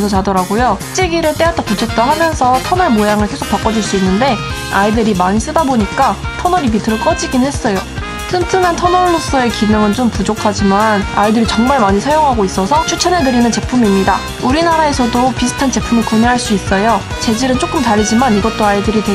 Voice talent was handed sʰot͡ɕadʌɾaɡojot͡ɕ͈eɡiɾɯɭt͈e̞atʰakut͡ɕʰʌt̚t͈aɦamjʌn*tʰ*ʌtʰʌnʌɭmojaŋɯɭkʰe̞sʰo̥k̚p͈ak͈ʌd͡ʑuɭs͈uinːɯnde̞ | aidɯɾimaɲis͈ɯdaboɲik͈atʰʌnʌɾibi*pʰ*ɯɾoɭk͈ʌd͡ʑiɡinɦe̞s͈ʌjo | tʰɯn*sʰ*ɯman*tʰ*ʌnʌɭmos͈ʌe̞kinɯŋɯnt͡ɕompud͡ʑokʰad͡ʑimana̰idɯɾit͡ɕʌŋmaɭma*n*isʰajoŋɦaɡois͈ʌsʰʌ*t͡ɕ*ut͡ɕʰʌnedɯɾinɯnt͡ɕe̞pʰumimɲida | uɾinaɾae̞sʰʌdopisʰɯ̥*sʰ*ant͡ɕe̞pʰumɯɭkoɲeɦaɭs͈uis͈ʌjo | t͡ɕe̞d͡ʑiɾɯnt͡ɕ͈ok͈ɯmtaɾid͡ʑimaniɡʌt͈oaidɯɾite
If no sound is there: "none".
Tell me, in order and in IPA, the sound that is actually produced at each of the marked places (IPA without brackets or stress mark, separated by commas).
sʰ, tʰ, tʰ, tʰ, ɲ, t͡ɕʰ, tʰ